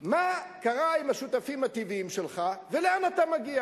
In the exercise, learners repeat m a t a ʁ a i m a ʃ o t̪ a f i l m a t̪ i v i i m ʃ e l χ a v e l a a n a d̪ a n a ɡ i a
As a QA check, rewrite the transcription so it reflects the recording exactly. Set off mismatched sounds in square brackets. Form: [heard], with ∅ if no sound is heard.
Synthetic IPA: m a [k] a ʁ a i m a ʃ [u] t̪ a f i [∅] m a t̪ i v i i m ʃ e l χ a v e l [e] a n a [t̪] a [m] a ɡ i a